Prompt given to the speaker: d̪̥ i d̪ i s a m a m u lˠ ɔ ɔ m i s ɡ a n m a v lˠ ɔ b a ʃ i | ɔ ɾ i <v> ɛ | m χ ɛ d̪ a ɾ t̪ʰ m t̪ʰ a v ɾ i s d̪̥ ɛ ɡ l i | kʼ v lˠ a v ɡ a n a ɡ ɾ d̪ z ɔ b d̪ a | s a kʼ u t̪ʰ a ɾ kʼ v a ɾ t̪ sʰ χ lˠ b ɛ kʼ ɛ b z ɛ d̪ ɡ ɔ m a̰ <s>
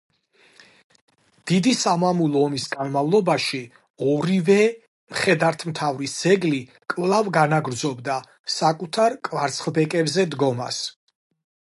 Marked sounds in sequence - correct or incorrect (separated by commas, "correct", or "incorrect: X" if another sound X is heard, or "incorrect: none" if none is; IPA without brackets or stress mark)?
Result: correct, correct